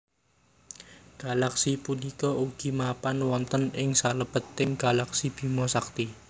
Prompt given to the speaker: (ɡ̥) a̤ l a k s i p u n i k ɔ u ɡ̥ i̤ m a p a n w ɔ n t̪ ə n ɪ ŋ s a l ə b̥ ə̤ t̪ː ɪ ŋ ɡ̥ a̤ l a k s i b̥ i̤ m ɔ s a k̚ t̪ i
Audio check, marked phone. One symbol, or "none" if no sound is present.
ɡ̥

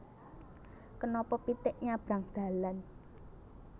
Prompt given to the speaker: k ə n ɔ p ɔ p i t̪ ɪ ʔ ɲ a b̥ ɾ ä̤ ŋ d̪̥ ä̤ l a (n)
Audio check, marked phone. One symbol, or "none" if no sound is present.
n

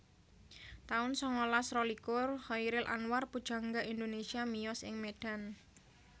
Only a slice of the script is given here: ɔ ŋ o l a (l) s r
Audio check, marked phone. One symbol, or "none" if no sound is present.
none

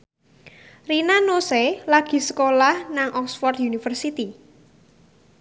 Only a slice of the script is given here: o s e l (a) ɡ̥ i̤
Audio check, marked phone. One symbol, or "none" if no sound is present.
a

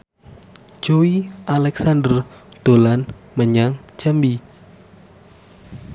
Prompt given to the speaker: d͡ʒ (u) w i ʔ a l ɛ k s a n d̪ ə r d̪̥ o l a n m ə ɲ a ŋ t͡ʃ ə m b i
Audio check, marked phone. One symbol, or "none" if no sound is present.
o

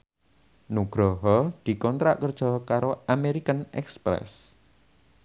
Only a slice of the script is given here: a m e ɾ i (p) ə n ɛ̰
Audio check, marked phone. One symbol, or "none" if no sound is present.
k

